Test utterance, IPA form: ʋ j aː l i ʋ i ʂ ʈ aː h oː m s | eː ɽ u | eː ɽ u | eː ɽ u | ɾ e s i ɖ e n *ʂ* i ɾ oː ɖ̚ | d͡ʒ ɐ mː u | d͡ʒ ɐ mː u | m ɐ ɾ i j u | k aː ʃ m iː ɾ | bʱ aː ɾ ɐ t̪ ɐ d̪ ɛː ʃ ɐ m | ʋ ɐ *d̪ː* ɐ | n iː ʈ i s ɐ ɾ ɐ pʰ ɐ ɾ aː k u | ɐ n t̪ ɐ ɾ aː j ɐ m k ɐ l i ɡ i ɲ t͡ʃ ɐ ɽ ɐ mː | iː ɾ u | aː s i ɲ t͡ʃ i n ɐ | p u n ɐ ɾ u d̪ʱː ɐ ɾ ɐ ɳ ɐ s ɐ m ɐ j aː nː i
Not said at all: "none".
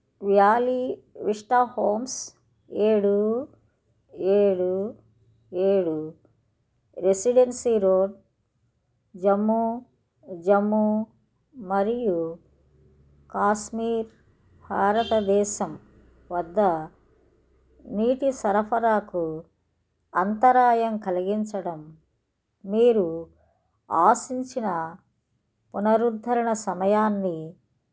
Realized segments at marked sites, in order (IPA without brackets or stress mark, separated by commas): s, d̪ː